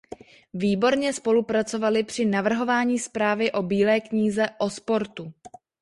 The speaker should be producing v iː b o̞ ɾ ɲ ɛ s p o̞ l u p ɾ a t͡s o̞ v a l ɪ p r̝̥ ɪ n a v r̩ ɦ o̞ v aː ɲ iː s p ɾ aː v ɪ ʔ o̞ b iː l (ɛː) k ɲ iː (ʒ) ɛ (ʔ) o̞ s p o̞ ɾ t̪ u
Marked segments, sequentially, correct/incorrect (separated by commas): correct, incorrect, correct